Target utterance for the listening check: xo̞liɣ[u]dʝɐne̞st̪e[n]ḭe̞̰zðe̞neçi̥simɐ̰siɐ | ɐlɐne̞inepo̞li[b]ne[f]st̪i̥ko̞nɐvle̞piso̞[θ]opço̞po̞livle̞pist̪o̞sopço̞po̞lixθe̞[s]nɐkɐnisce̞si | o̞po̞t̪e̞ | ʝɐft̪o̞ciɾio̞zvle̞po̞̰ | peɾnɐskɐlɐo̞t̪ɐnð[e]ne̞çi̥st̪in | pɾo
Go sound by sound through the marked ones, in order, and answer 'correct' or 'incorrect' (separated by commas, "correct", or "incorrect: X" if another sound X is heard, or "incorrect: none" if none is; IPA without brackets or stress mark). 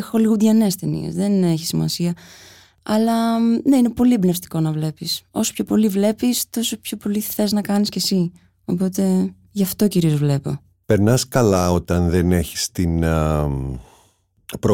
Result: correct, correct, correct, correct, incorrect: s, incorrect: z, correct